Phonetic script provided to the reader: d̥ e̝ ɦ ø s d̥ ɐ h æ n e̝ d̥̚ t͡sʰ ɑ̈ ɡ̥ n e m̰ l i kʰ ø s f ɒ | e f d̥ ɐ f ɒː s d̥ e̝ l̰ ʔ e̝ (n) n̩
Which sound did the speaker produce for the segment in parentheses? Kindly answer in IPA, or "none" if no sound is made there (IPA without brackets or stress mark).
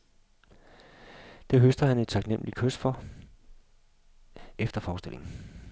ŋ